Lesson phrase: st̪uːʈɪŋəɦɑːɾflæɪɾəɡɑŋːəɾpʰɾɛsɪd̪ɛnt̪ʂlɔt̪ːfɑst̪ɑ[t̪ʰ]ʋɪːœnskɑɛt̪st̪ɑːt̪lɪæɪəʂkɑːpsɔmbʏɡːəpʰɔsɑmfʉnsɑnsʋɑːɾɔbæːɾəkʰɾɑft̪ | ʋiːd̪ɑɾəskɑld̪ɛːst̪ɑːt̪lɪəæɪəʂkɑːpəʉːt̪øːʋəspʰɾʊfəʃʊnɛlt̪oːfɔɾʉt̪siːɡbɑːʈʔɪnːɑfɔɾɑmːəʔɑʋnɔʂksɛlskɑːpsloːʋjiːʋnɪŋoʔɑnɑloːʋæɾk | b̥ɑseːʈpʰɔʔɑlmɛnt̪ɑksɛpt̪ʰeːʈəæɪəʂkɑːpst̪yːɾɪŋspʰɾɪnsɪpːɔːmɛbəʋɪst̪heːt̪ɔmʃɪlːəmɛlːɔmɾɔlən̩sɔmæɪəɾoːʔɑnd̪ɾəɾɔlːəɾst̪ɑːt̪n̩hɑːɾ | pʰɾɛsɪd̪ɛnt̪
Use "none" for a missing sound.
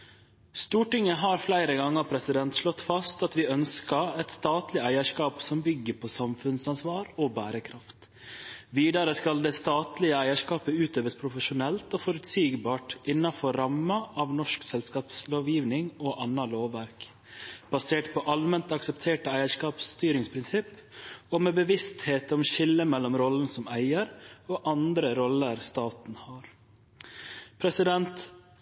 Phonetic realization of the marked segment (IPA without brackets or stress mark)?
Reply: t̪